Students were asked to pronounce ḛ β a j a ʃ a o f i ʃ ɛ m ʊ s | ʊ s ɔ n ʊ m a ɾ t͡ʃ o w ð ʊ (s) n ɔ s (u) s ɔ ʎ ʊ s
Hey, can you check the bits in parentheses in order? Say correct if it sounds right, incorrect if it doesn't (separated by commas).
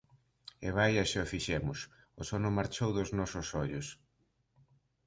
incorrect, incorrect